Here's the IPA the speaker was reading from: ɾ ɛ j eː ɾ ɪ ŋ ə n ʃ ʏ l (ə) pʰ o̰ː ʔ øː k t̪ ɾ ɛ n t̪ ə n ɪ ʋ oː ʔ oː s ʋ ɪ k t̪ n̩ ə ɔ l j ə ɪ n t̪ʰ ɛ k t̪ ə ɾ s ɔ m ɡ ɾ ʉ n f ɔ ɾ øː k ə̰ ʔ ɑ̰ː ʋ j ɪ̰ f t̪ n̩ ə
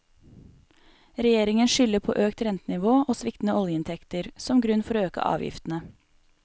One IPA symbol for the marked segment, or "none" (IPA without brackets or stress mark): ə